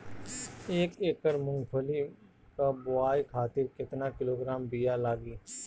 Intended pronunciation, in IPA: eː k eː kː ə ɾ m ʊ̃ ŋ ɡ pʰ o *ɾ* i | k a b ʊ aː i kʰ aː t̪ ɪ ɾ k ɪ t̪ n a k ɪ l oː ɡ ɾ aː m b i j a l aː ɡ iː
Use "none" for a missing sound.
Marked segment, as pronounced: l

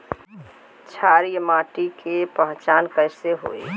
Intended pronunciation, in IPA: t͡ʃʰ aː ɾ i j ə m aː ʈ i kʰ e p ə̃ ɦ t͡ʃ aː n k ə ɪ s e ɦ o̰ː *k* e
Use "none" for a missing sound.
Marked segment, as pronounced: none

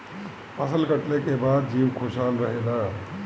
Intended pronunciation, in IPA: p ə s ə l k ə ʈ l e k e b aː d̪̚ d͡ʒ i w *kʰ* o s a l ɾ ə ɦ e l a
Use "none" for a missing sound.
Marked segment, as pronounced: kʰ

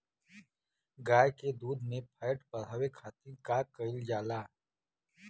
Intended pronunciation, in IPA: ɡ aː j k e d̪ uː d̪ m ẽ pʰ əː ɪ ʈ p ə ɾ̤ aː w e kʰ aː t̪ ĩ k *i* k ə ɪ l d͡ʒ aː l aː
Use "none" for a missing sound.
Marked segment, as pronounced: a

